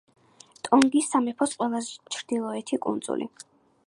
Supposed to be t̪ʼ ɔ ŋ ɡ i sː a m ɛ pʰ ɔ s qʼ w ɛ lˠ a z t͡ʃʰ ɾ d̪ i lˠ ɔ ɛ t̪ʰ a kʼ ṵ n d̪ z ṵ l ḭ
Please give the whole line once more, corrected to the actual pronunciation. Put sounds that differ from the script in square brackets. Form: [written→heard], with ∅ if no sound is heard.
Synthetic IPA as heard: t̪ʼ ɔ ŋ ɡ i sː a m ɛ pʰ ɔ s qʼ w ɛ lˠ a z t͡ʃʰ ɾ d̪ i lˠ ɔ ɛ t̪ʰ [a→i] kʼ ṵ n d̪ z ṵ l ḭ